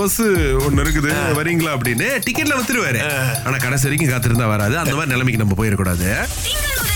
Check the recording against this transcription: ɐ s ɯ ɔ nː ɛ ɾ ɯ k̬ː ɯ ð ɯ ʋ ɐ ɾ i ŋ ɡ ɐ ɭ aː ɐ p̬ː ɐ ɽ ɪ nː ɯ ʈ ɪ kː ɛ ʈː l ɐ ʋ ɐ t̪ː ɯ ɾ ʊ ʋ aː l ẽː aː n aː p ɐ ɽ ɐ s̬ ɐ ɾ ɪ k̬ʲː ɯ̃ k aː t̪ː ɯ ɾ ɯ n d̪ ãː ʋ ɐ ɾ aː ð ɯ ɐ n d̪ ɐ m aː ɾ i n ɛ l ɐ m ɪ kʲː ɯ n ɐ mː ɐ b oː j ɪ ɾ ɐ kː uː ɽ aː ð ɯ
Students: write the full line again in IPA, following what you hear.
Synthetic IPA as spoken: ɐ s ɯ ɔ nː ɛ ɾ ɯ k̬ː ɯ ð ɯ ʋ ɐ ɾ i ŋ ɡ ɐ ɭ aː ɐ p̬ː ɐ ɽ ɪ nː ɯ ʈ ɪ kː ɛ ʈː l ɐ ʋ ɐ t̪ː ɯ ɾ ɯ ʋ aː ɾ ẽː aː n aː k ɐ ɽ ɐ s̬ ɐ ɾ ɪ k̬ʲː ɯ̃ k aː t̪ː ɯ ɾ ɯ n d̪ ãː ʋ ɐ ɾ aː ð ɯ ɐ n d̪ ɐ m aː ɾ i n ɛ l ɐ m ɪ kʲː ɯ n ɐ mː ɐ p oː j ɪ ɾ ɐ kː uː ɽ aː ð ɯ